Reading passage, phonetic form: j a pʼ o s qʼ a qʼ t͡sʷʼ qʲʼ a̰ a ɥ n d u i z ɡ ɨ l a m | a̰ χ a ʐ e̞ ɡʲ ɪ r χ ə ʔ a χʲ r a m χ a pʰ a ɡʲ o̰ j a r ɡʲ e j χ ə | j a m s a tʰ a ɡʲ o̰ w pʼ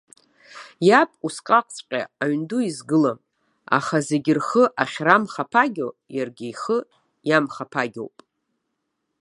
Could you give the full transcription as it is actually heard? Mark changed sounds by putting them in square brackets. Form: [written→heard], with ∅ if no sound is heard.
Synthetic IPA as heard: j a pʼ [o→u] s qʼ a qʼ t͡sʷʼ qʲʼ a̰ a ɥ n d u i z ɡ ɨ l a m | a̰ χ a [ʐ→z] e̞ ɡʲ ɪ r χ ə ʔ a χʲ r a m χ a pʰ a ɡʲ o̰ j a r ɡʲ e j χ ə | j a m [s→χ] a [tʰ→pʰ] a ɡʲ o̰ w pʼ